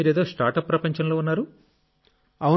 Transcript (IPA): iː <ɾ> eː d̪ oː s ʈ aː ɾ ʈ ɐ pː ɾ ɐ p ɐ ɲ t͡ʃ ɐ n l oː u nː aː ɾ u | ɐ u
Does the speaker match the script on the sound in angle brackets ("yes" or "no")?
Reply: yes